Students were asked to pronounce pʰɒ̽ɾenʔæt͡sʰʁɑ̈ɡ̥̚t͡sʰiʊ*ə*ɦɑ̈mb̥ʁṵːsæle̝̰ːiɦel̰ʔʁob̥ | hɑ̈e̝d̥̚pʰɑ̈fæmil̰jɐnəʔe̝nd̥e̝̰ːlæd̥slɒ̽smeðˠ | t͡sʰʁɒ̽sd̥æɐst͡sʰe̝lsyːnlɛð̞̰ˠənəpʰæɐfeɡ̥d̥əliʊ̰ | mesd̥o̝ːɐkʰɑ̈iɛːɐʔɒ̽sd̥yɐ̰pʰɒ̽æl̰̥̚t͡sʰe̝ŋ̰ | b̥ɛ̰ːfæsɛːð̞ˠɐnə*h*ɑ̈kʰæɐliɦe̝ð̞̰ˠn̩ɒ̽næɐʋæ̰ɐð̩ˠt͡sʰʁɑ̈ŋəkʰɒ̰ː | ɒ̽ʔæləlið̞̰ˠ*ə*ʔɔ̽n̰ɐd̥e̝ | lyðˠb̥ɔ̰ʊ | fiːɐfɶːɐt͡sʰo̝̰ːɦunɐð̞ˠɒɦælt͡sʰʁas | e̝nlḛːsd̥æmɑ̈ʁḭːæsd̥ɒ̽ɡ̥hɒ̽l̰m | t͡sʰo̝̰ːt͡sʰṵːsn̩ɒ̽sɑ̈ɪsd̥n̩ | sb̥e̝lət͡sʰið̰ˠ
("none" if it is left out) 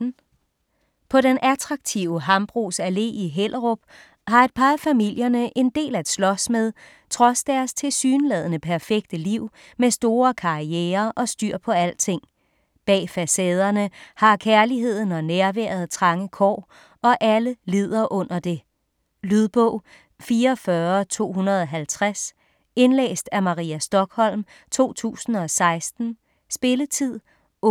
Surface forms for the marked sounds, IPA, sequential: ə, h, ɐ

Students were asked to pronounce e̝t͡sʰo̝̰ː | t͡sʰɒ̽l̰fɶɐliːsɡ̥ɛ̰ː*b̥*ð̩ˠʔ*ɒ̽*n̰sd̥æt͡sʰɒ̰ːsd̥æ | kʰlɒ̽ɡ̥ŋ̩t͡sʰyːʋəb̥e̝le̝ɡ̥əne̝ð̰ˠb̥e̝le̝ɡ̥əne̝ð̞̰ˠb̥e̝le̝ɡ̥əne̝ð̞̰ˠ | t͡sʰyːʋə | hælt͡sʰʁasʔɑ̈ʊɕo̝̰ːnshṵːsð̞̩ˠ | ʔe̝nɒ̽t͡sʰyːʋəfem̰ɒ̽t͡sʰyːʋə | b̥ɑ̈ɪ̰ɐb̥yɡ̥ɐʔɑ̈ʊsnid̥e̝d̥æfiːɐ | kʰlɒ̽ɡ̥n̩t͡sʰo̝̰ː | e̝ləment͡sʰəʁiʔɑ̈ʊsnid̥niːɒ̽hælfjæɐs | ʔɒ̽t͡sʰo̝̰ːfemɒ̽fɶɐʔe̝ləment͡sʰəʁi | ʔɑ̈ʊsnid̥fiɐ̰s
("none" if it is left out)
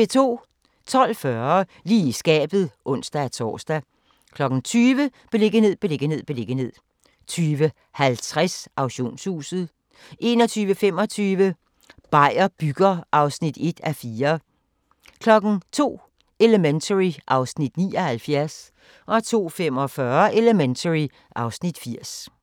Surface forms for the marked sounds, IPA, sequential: b̥, ɔ̽

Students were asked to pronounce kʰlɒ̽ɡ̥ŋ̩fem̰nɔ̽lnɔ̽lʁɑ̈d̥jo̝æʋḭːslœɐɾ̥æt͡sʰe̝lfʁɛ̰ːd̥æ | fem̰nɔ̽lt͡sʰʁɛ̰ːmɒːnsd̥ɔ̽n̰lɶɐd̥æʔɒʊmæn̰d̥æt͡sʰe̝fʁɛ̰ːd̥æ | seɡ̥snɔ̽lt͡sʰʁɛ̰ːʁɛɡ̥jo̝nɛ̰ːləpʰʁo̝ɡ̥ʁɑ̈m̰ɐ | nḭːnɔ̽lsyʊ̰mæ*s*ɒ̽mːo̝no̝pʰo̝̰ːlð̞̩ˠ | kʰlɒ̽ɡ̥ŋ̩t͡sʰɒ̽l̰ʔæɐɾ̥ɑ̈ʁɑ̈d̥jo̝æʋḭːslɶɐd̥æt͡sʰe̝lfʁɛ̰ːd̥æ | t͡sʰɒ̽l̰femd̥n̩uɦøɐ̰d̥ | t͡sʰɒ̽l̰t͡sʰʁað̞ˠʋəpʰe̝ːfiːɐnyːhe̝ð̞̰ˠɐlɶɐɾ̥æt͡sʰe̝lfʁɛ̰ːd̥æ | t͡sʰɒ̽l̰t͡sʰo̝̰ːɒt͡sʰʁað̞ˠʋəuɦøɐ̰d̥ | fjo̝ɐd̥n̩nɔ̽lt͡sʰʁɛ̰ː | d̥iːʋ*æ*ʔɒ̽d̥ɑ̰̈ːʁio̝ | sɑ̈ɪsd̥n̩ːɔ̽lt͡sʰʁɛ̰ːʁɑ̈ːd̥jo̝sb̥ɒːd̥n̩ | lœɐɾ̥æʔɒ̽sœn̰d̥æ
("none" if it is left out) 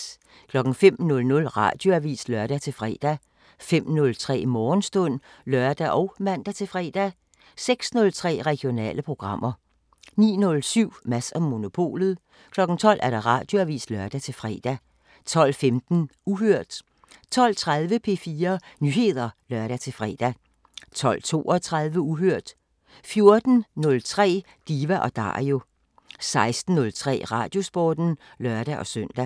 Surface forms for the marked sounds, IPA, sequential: s, æ

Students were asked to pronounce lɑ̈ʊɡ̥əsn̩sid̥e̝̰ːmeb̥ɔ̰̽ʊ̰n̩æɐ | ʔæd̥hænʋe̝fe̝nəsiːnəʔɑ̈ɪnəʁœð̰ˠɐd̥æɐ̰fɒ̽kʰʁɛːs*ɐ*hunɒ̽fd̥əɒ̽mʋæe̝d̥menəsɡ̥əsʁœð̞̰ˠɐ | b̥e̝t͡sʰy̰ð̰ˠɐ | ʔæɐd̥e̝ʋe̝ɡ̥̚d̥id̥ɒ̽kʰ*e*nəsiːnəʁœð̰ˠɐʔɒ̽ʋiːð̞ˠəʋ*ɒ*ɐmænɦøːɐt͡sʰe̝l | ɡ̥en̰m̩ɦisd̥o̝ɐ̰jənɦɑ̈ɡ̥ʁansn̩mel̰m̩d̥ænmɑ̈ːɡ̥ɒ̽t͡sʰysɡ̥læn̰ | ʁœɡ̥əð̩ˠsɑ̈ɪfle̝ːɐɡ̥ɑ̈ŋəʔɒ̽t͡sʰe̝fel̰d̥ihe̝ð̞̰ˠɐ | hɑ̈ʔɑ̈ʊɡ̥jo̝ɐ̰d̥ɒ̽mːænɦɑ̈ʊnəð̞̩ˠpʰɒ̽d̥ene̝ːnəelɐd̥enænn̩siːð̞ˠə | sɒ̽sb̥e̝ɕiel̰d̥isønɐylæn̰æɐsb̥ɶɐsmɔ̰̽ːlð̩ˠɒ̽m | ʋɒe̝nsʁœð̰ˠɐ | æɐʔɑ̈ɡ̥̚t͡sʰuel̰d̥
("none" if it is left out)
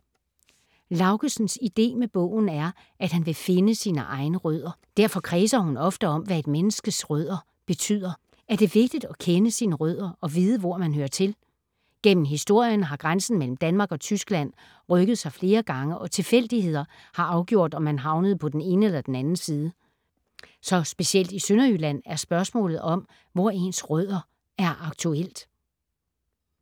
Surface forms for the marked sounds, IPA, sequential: ɐ, e, ɒ

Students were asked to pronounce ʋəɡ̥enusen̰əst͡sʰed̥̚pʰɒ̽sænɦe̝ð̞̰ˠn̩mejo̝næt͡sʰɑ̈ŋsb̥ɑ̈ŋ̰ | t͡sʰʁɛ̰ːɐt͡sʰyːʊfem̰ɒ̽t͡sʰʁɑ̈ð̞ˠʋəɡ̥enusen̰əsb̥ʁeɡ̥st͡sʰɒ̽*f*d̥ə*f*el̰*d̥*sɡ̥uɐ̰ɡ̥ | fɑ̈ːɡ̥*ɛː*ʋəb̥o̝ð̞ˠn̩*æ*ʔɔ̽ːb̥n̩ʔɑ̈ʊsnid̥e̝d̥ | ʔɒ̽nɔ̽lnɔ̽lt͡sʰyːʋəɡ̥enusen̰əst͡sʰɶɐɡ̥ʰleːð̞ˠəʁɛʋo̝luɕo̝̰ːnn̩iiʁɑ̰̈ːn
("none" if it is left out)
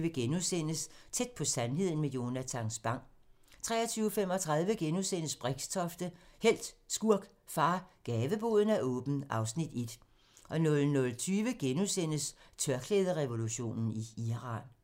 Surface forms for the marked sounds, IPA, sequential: f, h, d̥, ɛː, æ

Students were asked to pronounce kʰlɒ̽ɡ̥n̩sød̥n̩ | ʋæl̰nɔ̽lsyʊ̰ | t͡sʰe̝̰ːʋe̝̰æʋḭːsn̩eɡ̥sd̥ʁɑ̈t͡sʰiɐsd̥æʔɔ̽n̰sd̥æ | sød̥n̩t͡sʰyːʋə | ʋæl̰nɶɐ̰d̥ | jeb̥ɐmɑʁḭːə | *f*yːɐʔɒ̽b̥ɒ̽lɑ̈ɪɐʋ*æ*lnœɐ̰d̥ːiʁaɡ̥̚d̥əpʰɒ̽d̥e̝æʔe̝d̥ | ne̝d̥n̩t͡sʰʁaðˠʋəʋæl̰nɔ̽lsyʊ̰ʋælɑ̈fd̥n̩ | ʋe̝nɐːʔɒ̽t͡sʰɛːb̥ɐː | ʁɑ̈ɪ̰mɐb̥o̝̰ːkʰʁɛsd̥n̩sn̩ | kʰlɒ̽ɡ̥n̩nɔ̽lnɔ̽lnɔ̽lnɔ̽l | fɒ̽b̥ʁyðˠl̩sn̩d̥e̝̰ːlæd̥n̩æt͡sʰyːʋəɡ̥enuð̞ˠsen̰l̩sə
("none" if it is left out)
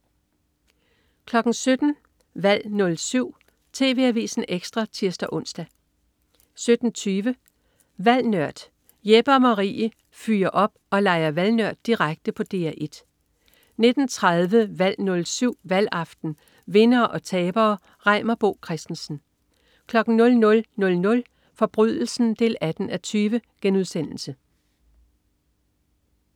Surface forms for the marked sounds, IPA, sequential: f, æ

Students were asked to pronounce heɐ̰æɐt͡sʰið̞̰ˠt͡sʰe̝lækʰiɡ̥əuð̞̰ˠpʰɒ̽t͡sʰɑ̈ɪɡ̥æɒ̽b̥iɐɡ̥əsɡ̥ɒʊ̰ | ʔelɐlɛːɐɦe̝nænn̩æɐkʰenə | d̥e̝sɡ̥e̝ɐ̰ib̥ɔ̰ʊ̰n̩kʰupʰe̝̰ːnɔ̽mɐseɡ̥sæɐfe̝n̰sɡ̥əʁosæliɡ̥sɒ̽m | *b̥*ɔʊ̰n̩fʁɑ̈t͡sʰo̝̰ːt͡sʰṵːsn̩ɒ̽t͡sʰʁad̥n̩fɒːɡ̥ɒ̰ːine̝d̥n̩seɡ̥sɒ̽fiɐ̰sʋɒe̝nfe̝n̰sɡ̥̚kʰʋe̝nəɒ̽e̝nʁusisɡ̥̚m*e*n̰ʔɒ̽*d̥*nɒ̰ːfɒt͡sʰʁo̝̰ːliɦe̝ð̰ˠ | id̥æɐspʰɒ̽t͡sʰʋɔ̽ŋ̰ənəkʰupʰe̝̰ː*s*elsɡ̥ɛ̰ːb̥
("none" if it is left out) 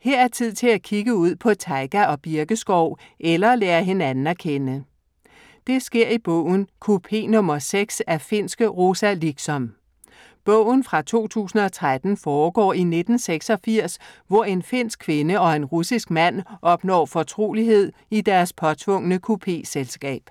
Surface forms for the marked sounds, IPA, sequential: b̥, æ, b̥, s

